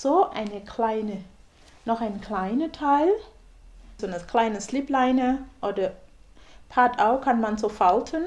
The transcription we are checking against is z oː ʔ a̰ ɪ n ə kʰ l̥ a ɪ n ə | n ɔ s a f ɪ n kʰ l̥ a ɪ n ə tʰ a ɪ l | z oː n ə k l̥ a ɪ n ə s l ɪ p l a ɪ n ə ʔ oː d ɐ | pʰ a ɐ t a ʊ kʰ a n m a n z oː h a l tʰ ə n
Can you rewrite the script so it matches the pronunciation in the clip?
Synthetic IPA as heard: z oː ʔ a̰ ɪ n ə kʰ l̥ a ɪ n ə | n ɔ χ a ɪ n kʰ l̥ a ɪ n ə tʰ a ɪ l | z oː n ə k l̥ a ɪ n ə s l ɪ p l a ɪ n ə ʔ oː d ɐ | pʰ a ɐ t a ʊ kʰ a n m a n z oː f a l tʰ ə n